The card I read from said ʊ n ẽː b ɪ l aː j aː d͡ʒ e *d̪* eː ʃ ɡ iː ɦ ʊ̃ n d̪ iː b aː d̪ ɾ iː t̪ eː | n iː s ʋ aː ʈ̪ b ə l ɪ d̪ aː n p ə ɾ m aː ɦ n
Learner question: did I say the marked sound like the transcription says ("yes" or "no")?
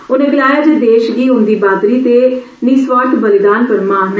yes